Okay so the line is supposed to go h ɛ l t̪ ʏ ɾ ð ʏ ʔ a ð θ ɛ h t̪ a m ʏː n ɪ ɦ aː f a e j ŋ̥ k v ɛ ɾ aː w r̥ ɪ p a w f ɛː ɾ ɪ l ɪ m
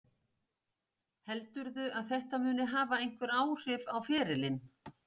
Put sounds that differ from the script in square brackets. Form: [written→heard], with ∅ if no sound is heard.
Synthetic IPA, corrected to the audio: h ɛ l t̪ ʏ ɾ ð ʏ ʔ a ð θ ɛ h t̪ a m ʏː n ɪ ɦ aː [f→v] a e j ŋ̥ k v ɛ ɾ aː w r̥ ɪ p a w f ɛː ɾ ɪ l ɪ [m→n]